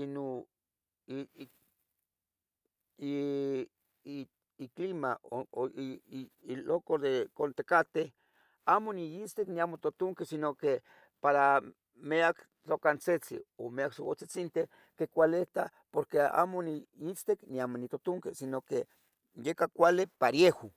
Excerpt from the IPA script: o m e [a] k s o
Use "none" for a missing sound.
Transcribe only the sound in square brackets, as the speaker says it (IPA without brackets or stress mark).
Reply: a